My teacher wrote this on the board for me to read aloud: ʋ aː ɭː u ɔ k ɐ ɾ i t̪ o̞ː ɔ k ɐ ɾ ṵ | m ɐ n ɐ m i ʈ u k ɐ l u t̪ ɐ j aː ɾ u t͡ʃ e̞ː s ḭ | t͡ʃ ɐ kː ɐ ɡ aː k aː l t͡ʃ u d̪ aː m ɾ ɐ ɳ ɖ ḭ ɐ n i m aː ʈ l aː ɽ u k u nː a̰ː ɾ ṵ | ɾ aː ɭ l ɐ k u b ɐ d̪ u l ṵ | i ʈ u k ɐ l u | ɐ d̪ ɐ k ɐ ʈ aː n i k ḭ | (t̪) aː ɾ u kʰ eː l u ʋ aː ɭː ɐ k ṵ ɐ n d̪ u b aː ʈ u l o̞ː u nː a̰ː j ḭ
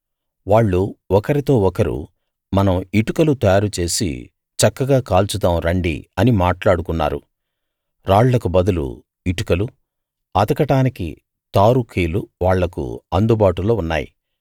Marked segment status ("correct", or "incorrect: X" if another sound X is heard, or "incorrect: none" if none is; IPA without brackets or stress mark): correct